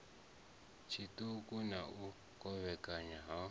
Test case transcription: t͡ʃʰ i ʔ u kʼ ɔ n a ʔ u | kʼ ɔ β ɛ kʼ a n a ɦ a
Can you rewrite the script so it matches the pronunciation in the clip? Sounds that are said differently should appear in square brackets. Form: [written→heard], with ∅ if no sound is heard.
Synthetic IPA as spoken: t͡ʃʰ i [ʔ→t] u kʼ [ɔ→u] n a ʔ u | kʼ ɔ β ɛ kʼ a [n→ɲ] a ɦ a